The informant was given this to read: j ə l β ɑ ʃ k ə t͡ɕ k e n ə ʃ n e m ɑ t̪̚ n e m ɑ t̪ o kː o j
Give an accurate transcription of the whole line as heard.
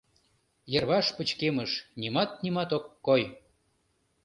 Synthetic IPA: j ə r β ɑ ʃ p ə t͡ɕ k e m ə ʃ n i m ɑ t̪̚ n i m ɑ t̪ o kː o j